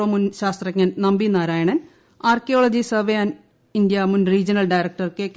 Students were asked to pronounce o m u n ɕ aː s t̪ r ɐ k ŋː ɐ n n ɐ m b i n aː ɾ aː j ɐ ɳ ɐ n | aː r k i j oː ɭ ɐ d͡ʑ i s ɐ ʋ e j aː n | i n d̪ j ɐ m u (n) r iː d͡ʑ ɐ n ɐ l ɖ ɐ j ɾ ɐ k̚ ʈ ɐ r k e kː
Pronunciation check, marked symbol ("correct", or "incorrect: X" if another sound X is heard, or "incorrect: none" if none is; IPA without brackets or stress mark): correct